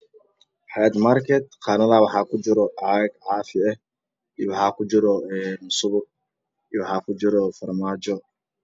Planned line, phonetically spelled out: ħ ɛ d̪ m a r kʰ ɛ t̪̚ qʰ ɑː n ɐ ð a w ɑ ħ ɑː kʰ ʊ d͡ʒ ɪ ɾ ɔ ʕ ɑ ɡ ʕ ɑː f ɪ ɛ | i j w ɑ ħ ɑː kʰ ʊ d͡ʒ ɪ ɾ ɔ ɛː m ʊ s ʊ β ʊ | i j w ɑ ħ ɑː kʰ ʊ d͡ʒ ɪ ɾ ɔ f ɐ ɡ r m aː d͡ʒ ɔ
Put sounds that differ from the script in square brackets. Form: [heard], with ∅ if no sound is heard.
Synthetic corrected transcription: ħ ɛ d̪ m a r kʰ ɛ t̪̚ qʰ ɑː n ɐ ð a w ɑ ħ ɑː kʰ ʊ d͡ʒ ɪ ɾ ɔ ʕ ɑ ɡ ʕ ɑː f ɪ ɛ | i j w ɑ ħ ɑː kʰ ʊ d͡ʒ ɪ ɾ ɔ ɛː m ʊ s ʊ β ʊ | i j w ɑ ħ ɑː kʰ ʊ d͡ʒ ɪ ɾ ɔ f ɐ [∅] r m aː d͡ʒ ɔ